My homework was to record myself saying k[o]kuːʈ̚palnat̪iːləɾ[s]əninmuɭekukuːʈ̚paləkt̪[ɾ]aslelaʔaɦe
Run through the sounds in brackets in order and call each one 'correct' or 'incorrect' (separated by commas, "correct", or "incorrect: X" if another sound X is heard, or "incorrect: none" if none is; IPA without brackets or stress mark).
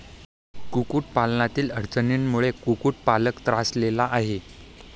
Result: incorrect: u, incorrect: t͡s, correct